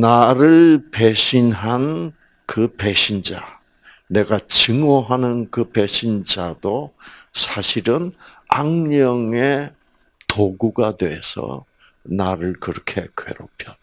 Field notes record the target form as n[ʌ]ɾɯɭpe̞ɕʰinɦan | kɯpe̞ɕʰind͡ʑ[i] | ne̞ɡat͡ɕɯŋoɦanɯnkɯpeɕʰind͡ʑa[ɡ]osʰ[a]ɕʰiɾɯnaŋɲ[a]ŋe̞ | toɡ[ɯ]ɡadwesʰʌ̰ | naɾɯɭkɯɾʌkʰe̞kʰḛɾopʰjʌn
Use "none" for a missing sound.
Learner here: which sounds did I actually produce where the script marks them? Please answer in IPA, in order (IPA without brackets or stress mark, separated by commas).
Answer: a, a, d, a, ʌ, u